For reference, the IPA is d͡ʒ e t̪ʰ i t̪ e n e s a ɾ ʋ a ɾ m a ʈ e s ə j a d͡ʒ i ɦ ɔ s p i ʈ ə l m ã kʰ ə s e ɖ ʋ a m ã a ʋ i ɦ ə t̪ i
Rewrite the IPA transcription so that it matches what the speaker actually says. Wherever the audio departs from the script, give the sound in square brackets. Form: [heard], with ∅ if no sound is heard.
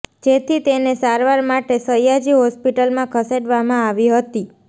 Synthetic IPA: d͡ʒ e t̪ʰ i t̪ e n e s a ɾ ʋ a ɾ m a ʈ e s ə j a d͡ʒ i ɦ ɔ s p i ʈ ə l m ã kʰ ə s e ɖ ʋ a m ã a ʋ i ɦ ə t̪ i